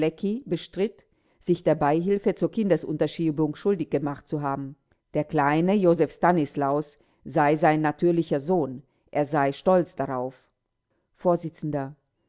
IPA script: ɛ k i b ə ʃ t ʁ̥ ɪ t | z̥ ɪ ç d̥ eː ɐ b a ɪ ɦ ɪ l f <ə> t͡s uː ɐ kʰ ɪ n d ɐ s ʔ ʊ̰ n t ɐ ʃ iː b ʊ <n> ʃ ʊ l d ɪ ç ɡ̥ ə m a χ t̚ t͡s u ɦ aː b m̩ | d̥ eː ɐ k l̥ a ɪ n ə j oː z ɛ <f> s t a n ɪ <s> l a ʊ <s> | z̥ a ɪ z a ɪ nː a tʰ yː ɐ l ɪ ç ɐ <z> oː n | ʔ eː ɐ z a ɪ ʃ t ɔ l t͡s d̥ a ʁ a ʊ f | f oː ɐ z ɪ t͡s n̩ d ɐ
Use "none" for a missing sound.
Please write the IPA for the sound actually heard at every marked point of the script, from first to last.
ə, ŋ, f, s, s, z

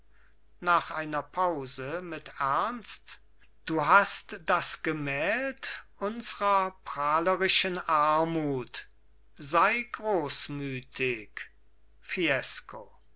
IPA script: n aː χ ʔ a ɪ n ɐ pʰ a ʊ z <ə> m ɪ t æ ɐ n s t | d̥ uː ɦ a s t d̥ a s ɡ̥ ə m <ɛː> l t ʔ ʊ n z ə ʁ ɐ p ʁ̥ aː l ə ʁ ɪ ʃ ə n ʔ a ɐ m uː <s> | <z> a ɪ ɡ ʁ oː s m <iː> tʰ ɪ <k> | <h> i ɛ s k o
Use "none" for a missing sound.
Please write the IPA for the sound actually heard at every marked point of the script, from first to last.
ə, ɛː, t, z, yː, k, f

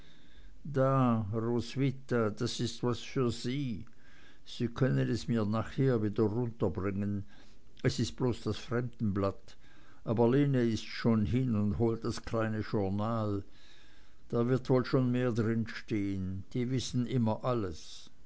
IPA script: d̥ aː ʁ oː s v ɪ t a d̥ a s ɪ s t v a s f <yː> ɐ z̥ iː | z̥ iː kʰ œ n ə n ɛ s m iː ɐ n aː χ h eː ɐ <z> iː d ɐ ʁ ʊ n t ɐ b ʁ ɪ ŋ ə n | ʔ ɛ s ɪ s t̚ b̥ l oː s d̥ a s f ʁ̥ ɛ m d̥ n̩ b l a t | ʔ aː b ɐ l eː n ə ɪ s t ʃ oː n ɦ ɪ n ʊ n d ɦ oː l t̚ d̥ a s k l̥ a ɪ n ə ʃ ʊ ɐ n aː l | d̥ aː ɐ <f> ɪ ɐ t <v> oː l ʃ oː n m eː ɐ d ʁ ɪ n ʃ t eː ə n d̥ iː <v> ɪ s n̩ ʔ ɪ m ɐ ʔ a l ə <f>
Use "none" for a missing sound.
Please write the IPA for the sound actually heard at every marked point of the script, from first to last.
yː, v, v, v, v, s

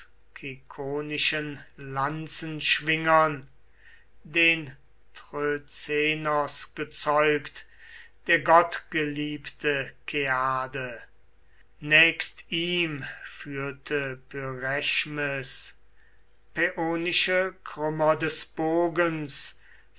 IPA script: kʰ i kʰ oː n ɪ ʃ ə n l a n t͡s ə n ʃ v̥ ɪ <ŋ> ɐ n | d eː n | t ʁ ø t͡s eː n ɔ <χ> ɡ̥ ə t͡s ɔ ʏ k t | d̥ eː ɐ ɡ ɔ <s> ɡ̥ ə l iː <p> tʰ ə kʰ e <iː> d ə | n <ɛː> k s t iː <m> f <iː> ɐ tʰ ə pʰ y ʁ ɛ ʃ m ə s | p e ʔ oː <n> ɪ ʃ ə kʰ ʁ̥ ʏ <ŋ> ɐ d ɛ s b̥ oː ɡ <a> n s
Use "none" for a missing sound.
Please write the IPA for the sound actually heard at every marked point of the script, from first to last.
ŋ, s, t, p, aː, ɛː, m, yː, n, m, ə

